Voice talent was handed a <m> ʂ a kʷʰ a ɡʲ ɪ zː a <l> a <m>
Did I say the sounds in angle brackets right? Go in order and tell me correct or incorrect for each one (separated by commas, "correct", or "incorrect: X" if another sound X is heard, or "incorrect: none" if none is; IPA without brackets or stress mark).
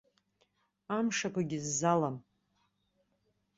correct, correct, correct